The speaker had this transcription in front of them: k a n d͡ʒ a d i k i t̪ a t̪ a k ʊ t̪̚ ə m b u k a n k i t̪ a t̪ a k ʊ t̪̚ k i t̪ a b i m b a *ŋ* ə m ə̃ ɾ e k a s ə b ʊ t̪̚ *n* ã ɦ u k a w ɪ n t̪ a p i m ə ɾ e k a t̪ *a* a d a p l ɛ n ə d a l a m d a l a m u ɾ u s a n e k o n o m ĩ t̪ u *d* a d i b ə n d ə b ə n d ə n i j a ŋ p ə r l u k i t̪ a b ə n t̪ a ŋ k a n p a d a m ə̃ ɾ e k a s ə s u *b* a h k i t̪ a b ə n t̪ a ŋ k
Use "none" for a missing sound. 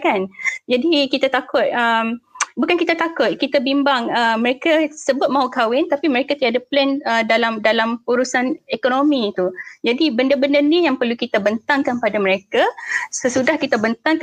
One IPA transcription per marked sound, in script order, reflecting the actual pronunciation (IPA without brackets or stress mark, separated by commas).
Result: ŋ, m, i, d͡ʒ, d